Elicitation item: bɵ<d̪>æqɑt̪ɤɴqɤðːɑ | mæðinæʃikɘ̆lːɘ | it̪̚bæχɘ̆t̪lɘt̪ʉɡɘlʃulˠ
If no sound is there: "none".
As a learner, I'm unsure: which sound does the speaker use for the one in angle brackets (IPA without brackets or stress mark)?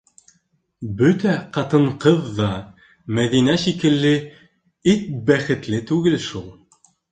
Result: t̪